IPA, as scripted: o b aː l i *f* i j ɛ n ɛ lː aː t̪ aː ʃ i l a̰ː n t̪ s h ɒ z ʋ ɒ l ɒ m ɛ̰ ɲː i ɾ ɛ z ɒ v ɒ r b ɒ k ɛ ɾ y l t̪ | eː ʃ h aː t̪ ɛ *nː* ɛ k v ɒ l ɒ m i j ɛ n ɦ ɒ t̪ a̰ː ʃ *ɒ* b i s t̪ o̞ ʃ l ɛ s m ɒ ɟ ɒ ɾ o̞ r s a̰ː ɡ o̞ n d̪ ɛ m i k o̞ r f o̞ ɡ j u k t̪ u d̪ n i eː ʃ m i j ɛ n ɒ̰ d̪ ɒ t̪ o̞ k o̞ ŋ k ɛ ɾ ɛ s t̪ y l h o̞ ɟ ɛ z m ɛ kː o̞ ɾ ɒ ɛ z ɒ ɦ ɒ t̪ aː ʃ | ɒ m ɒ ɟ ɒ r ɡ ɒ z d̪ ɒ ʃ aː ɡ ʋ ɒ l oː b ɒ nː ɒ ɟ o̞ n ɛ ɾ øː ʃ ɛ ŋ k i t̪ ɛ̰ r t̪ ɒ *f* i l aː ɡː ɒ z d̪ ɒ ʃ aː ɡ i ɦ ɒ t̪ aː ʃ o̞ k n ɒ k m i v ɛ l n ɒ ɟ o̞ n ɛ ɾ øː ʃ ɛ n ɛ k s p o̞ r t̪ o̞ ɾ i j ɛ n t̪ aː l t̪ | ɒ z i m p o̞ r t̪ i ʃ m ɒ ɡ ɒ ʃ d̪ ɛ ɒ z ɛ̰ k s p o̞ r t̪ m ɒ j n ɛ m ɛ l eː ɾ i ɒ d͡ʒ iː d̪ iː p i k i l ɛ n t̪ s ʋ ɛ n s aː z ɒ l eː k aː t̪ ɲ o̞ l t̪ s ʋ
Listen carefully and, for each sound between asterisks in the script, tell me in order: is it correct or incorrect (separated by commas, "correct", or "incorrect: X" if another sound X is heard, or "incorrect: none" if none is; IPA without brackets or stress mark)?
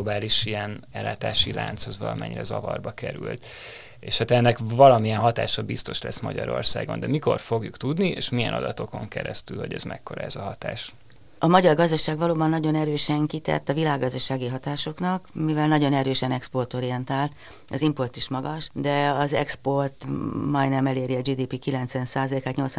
incorrect: ʃ, correct, correct, incorrect: v